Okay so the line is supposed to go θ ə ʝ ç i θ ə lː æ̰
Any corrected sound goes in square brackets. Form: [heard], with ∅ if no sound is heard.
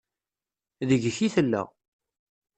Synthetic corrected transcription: [ð] ə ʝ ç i θ ə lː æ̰